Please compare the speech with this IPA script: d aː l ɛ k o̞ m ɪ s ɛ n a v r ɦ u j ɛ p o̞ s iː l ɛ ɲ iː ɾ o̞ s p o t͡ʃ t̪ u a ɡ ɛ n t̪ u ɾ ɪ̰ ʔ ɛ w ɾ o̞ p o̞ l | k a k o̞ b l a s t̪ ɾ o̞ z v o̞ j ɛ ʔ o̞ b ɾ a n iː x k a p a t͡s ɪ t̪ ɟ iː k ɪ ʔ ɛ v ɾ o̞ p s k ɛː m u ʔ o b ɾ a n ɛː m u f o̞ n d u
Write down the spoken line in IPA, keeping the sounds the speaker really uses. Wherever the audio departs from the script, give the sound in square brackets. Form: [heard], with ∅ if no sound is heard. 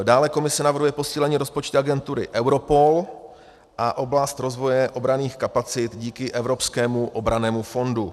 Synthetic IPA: d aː l ɛ k o̞ m ɪ s ɛ n a v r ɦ u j ɛ p o̞ s iː l ɛ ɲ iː ɾ o̞ s p o t͡ʃ t̪ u a ɡ ɛ n t̪ u ɾ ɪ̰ ʔ ɛ w ɾ o̞ p o̞ l | [ʔ] a [ʔ] o̞ b l a s t̪ ɾ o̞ z v o̞ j ɛ ʔ o̞ b ɾ a n iː x k a p a t͡s ɪ t̪ ɟ iː k ɪ ʔ ɛ v ɾ o̞ p s k ɛː m u ʔ o b ɾ a n ɛː m u f o̞ n d u